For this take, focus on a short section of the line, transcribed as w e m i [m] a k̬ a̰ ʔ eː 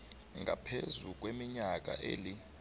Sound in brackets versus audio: incorrect: ɲ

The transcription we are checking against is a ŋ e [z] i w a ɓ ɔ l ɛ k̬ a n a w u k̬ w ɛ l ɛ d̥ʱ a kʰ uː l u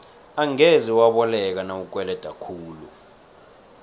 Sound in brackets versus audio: correct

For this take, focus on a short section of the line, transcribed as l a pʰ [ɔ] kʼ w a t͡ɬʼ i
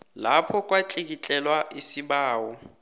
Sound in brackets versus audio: correct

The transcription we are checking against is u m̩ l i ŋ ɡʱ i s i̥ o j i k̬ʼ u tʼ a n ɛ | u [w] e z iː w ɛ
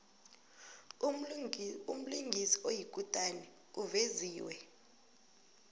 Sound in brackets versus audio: incorrect: v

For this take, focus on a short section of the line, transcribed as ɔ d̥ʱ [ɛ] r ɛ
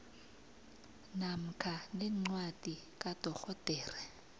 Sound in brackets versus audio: incorrect: ɛː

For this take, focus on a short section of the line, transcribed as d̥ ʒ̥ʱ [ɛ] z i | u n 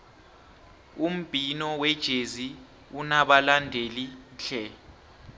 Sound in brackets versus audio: incorrect: e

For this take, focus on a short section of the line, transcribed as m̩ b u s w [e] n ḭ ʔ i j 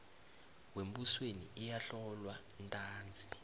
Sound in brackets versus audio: correct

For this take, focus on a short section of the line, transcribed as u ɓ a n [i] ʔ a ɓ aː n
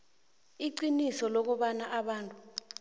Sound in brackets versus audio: incorrect: a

